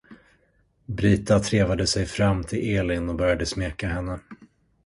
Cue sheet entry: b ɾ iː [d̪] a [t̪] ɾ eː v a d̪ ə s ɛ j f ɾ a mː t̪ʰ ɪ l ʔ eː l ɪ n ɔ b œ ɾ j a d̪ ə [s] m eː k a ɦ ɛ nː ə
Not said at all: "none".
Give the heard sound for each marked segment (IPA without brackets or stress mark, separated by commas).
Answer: t̪, t̪ʰ, s